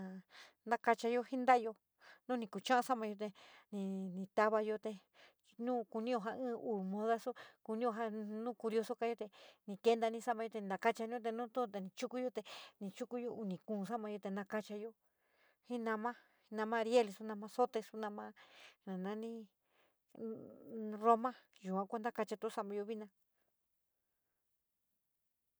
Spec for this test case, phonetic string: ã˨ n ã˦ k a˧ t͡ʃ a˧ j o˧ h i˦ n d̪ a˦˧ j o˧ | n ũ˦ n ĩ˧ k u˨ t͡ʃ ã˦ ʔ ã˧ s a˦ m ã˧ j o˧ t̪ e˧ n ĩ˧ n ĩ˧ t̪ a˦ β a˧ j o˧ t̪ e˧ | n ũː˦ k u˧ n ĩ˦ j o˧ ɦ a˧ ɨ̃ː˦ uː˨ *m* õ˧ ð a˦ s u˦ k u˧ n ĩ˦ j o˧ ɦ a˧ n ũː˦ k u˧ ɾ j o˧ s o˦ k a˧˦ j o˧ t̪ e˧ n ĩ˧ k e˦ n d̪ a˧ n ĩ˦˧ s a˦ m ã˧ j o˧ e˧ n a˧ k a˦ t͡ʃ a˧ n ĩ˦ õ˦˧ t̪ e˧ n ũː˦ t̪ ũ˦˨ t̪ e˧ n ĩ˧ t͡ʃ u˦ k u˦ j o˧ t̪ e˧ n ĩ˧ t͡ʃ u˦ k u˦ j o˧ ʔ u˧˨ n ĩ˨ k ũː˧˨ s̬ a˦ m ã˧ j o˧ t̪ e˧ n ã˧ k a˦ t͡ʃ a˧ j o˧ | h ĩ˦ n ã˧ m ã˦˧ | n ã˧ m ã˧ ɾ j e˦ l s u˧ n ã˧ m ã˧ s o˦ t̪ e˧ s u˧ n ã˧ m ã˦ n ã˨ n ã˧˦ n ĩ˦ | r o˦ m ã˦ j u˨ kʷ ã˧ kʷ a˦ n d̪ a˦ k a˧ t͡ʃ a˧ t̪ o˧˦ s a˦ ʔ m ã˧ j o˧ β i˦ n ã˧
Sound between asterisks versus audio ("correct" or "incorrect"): correct